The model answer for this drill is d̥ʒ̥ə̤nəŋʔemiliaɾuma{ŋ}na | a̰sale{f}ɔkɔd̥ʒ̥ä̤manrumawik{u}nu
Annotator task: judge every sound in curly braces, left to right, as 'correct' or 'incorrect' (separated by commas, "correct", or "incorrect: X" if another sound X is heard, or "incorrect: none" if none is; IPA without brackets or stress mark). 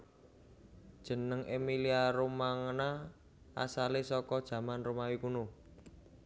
correct, incorrect: s, correct